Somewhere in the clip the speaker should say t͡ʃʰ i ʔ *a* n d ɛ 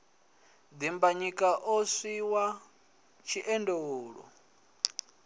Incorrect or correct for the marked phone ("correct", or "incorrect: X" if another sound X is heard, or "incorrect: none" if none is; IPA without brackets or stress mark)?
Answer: incorrect: ɛ